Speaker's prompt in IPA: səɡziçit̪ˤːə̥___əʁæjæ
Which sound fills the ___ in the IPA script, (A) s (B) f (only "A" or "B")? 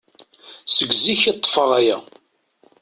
B